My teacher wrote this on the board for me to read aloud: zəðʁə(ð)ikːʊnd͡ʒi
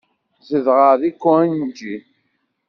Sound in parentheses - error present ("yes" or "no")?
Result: no